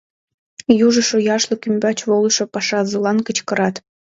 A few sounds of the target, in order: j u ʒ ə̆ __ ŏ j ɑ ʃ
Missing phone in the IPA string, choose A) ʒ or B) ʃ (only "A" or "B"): B